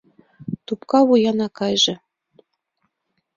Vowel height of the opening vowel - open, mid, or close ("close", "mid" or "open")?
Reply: close